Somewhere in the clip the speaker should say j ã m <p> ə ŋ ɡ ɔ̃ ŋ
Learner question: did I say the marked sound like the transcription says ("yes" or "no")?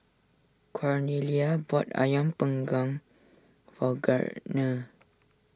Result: yes